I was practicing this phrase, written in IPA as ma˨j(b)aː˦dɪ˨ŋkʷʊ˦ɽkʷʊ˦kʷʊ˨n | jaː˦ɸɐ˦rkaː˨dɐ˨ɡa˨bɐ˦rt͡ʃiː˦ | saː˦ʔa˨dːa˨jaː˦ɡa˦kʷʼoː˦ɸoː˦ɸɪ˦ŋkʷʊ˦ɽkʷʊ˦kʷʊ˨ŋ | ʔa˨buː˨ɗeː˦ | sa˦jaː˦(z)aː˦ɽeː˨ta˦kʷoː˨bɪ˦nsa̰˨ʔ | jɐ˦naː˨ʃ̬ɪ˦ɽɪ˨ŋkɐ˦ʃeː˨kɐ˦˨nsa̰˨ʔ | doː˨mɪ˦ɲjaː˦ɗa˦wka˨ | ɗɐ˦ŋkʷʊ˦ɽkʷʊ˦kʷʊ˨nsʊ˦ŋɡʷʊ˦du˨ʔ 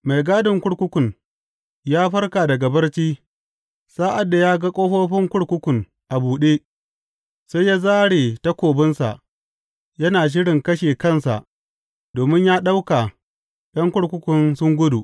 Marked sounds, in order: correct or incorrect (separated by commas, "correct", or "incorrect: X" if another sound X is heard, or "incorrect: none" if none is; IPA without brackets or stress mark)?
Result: incorrect: ɡ, correct